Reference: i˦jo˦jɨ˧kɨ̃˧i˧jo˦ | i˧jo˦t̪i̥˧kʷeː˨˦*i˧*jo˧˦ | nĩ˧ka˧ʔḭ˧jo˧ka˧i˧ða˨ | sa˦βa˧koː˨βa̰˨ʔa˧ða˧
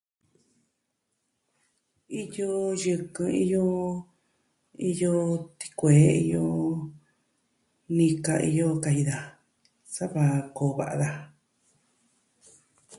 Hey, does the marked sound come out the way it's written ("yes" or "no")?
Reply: yes